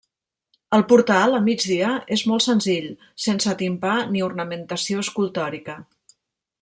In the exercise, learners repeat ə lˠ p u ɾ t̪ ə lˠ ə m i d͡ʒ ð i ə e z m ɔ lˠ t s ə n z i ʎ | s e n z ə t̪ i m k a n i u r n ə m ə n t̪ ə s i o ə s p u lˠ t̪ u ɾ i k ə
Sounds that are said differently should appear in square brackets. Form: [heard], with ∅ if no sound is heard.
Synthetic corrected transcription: ə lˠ p u ɾ t̪ [a] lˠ ə m i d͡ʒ ð i ə e z m ɔ lˠ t s ə n z i ʎ | s e n [s] ə t̪ i m [p] a n i u r n ə m ə n t̪ ə s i o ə s [k] u lˠ t̪ [ɔ] ɾ i k ə